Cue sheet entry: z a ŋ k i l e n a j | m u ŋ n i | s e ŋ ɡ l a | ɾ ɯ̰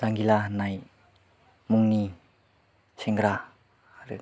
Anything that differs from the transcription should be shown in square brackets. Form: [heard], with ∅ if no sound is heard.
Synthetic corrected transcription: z a ŋ [ɡ] i l [a] n a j | m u ŋ n i | s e ŋ ɡ [ɾ] a | ɾ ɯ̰